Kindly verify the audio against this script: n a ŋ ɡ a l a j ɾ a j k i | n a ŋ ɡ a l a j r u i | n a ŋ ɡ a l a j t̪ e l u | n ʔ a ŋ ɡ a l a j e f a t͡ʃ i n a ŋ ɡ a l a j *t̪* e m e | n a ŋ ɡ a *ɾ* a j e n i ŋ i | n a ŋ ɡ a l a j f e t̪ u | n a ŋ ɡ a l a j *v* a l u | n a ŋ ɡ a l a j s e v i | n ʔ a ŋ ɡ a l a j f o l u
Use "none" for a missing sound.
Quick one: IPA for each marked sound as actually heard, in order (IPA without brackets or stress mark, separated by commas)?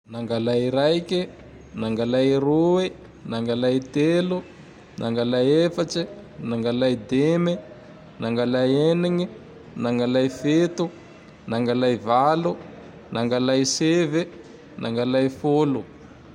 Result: d̪, l, v